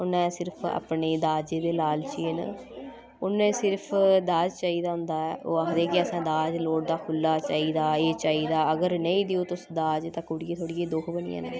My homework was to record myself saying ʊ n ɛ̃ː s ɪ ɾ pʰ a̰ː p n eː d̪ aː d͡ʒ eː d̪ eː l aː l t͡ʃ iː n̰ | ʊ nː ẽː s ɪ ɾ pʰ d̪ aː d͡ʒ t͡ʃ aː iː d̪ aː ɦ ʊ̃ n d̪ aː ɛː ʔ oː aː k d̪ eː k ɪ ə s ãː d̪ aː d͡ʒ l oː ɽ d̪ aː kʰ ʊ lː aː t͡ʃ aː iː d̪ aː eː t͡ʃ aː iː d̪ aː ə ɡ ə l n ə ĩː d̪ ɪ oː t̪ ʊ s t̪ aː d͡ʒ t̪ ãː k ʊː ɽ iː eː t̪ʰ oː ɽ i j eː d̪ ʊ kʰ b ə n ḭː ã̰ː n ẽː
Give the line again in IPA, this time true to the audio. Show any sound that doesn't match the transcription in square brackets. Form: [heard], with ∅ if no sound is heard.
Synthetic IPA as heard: ʊ n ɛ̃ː s ɪ ɾ pʰ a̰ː p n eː d̪ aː d͡ʒ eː d̪ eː l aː l t͡ʃ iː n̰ | ʊ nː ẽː s ɪ ɾ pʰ d̪ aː d͡ʒ t͡ʃ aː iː d̪ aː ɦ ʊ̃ n d̪ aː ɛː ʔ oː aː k d̪ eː k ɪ ə s ãː d̪ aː d͡ʒ l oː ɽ d̪ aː kʰ ʊ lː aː t͡ʃ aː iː d̪ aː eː t͡ʃ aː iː d̪ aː ə ɡ ə [ɾ] n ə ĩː d̪ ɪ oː t̪ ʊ s [d̪] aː d͡ʒ t̪ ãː k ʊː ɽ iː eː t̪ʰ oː ɽ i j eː d̪ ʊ kʰ b ə n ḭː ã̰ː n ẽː